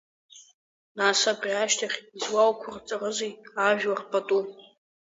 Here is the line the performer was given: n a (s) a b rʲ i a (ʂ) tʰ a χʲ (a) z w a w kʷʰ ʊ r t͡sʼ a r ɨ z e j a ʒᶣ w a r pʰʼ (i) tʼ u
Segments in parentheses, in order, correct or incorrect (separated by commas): correct, incorrect, incorrect, incorrect